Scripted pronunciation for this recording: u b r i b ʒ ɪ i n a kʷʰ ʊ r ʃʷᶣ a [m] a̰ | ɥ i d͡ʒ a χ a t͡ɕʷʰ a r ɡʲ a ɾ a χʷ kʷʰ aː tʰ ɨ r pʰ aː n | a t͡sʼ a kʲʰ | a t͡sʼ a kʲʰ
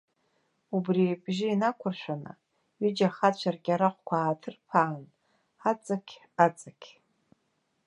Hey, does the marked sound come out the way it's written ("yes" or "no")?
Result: no